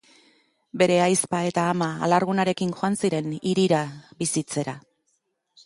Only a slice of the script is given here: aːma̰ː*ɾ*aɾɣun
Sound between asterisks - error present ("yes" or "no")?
yes